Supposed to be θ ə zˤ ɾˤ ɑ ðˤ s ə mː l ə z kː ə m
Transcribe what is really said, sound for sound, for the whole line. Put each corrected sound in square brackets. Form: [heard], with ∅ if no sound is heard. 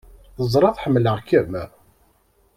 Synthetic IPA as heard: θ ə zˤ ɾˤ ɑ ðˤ [ħ] ə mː l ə [ʁ] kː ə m